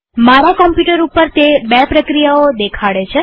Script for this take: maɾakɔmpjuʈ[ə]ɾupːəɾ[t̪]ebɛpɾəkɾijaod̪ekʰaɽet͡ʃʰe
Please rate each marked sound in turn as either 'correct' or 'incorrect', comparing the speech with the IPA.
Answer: correct, correct

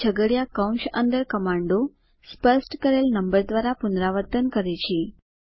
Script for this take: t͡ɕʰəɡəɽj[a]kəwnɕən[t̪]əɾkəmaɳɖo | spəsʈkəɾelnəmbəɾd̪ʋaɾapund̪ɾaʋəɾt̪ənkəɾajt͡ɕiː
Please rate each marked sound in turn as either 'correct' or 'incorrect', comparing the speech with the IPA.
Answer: correct, incorrect

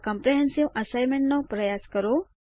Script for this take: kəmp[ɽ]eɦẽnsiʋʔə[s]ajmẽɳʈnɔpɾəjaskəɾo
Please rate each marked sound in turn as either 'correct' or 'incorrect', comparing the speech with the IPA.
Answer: incorrect, correct

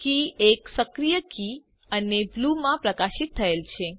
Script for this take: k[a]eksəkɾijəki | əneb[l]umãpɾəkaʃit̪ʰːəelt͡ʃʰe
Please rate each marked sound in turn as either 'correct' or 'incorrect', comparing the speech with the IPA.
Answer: incorrect, correct

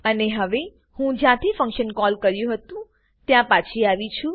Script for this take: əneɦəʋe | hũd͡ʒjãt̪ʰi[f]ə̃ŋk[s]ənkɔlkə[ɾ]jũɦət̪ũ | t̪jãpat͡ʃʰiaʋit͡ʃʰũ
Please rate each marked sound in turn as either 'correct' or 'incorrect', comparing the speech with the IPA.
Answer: correct, incorrect, correct

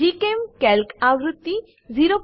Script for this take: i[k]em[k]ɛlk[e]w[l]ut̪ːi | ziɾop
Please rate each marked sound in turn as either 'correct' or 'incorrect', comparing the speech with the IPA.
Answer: correct, correct, incorrect, incorrect

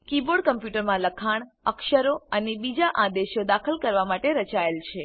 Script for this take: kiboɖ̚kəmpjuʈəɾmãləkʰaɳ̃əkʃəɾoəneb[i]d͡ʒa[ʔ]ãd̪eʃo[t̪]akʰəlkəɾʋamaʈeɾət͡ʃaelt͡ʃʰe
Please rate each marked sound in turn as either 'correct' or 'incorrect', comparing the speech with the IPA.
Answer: correct, correct, incorrect

